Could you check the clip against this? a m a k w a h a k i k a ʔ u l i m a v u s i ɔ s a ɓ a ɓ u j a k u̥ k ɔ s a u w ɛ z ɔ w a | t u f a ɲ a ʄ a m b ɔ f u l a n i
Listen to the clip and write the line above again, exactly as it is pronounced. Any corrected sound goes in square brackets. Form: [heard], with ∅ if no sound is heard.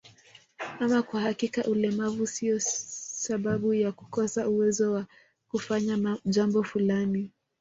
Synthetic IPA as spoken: a m a k w a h a k i k a ʔ u l [ɛ] m a v u s i ɔ s a ɓ a ɓ u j a k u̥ k ɔ s a u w ɛ z ɔ w a | [k] u f a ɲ a ʄ a m b ɔ f u l a n i